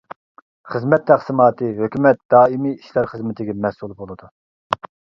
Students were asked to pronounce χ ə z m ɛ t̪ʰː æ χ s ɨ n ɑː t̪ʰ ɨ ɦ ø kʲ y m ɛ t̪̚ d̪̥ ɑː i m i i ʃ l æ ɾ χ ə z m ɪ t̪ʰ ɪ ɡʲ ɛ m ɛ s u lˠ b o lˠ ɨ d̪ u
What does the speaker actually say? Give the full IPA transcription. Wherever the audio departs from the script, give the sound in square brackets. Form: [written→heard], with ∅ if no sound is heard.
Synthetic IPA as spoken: χ ə z m ɛ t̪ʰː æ χ s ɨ [n→m] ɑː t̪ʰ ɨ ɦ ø kʲ y m ɛ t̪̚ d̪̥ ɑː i m i i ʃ l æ ɾ χ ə z m ɪ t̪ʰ ɪ ɡʲ ɛ m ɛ s u lˠ b o lˠ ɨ d̪ u